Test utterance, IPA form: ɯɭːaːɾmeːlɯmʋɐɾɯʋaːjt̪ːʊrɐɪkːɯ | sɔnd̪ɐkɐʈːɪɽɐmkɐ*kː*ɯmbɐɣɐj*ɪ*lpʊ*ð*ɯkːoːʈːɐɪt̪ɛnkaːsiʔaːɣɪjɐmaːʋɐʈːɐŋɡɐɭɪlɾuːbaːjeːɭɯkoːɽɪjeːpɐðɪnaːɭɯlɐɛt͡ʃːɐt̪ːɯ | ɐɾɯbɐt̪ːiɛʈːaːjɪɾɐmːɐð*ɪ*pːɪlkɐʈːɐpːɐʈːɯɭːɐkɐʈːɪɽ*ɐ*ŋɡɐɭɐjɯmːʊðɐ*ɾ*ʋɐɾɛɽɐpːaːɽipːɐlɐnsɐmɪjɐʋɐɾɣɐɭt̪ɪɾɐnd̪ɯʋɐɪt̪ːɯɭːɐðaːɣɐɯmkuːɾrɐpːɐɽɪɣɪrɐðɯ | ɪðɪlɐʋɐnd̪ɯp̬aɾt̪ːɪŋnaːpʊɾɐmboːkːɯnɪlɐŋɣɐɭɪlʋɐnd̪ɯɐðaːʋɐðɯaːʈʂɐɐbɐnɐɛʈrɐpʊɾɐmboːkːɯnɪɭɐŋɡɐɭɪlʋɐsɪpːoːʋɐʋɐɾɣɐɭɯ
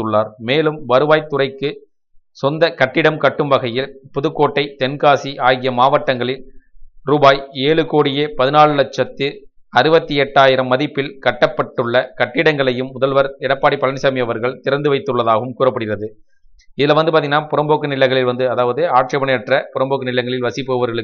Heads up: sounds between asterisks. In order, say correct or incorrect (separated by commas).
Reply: incorrect, correct, correct, correct, correct, incorrect